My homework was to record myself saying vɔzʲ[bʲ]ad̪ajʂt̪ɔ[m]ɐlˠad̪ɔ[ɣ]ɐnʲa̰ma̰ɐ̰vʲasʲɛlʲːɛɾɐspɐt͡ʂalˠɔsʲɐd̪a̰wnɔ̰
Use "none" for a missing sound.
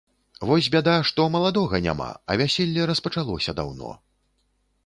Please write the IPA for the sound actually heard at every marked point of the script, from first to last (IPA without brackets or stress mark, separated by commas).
bʲ, m, ɣ